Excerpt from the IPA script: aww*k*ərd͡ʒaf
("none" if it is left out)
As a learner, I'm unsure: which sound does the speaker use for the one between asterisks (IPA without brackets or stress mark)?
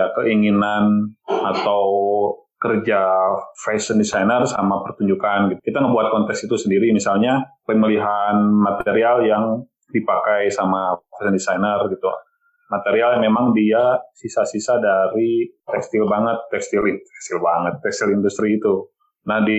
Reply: k